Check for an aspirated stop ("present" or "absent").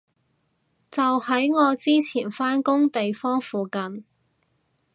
present